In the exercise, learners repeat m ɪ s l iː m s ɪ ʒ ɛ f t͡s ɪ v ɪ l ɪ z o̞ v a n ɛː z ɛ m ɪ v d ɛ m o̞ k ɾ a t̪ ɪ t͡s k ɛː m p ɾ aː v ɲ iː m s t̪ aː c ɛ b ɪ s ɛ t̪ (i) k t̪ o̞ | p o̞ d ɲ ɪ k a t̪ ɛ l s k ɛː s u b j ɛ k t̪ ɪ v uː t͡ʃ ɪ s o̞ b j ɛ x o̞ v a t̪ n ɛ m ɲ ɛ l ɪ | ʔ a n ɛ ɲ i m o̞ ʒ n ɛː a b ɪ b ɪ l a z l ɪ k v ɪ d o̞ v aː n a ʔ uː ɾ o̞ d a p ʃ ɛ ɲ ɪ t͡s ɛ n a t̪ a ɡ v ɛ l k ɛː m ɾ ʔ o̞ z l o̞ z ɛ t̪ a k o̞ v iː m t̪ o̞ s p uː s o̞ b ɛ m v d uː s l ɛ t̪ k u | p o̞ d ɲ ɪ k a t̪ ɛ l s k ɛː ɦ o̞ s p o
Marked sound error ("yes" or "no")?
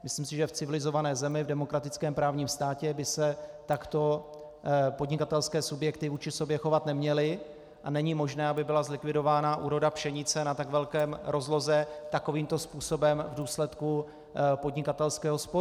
yes